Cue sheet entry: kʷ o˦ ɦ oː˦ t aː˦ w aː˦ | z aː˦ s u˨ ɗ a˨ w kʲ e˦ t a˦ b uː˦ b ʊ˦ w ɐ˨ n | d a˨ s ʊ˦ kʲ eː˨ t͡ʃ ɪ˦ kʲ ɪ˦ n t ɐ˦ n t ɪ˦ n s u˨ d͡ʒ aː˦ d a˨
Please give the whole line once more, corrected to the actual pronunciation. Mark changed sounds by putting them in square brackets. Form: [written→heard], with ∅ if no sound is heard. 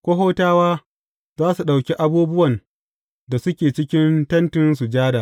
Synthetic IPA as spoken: kʷ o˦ ɦ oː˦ t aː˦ w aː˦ | z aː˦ s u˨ ɗ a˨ w kʲ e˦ [t→ʔ] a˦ b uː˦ b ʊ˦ w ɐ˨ n | d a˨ s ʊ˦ kʲ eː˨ t͡ʃ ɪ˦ kʲ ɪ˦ n t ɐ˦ n t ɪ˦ n s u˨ d͡ʒ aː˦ d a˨